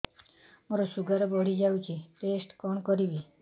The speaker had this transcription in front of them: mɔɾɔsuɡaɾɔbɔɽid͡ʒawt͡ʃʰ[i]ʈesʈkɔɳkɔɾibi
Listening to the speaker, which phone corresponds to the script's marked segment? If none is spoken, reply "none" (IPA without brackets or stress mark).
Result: i